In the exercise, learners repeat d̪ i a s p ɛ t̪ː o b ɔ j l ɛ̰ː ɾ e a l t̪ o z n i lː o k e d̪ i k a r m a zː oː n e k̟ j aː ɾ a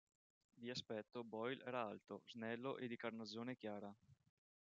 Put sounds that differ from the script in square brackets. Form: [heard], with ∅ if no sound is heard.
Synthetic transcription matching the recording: d̪ i a s p ɛ t̪ː o b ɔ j l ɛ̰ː ɾ [a] a l t̪ o z n [ɛ] lː o [ʔ] e d̪ i k a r [n] a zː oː n e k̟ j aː ɾ a